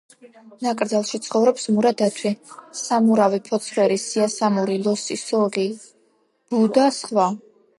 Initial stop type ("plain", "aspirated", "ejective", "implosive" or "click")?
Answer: ejective